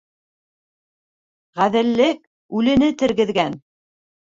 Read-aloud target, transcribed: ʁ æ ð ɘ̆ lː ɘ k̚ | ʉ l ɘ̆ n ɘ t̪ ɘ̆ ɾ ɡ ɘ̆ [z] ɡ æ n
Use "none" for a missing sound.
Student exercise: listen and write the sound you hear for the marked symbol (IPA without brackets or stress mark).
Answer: ð